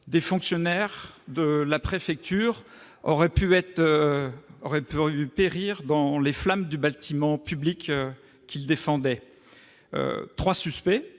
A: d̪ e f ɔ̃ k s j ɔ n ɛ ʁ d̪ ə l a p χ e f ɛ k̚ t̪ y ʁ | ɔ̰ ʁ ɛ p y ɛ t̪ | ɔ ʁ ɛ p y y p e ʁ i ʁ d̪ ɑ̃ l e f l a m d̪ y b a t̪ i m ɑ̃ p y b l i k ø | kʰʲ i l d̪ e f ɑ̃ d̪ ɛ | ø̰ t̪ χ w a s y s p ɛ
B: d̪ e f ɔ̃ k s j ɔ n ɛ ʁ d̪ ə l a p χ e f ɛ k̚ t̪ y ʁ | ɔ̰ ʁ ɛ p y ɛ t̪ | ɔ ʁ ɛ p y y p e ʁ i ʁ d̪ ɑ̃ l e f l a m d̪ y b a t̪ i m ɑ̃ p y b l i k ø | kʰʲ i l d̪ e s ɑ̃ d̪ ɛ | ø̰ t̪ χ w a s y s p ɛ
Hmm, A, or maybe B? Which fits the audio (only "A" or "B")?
A